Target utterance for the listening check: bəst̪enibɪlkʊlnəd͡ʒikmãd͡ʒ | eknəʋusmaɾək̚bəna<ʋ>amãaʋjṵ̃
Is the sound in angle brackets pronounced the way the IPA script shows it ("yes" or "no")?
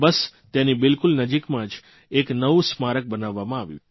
no